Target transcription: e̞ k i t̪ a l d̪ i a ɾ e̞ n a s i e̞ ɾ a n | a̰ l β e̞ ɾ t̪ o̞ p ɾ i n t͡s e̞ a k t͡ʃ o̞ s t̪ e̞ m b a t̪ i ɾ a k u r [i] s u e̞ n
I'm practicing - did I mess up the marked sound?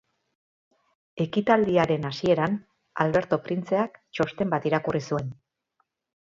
no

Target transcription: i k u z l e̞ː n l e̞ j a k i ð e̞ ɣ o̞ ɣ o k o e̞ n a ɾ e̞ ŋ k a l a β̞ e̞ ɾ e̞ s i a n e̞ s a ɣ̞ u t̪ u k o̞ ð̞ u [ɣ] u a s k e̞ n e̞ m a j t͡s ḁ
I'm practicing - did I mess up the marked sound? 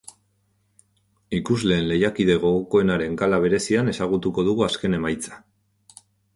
no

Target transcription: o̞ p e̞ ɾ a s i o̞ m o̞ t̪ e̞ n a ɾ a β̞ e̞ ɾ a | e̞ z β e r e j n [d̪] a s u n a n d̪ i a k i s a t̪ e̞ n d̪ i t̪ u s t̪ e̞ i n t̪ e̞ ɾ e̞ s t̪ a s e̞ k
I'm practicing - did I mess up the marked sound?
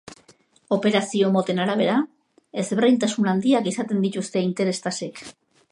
yes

